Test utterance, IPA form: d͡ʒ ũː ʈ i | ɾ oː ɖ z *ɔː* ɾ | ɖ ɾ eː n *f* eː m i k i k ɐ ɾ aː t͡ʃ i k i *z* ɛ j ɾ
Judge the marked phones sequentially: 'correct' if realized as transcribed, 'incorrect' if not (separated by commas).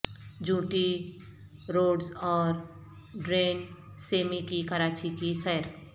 correct, incorrect, incorrect